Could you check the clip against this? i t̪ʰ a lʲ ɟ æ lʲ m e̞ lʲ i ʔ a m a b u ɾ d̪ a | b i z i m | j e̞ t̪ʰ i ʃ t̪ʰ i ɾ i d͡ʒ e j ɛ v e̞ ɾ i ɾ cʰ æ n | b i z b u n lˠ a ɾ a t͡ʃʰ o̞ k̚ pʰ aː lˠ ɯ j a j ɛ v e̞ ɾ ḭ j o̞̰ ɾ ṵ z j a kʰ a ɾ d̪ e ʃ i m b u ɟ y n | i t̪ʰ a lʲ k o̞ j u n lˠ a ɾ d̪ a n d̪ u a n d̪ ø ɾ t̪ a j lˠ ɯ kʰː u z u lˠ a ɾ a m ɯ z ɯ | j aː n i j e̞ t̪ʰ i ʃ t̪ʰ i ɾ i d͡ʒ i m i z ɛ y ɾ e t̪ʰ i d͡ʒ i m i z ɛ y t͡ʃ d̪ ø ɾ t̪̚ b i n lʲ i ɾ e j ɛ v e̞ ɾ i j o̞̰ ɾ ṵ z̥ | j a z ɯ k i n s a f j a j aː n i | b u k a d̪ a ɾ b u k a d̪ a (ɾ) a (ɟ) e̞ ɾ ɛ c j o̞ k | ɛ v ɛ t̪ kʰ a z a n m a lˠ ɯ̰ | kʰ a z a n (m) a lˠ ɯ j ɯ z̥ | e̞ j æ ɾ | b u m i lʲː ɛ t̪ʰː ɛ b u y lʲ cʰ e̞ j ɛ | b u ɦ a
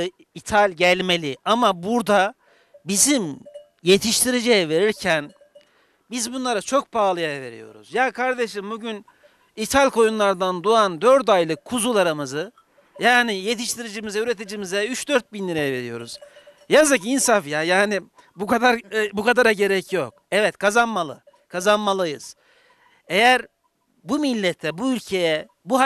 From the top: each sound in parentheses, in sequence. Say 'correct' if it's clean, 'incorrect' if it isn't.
correct, correct, correct

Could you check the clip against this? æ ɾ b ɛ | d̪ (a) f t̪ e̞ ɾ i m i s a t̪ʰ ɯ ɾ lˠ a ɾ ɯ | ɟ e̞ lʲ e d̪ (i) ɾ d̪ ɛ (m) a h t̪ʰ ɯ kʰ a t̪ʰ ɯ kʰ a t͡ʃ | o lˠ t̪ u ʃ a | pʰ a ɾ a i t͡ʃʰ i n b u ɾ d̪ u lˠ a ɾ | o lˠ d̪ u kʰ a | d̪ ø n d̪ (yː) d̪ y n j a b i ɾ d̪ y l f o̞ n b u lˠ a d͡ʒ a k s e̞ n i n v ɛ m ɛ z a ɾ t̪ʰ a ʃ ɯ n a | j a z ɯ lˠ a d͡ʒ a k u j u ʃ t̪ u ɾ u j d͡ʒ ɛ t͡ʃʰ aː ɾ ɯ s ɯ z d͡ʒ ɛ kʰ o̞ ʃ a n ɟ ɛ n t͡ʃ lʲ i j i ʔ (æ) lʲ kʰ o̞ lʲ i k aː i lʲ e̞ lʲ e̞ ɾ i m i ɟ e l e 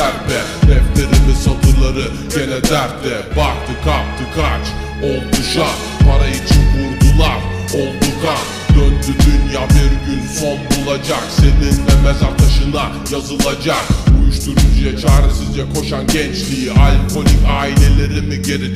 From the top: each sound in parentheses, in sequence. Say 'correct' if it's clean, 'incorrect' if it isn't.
incorrect, incorrect, incorrect, incorrect, incorrect

